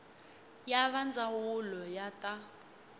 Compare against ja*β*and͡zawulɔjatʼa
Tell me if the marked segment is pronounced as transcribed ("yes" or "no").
yes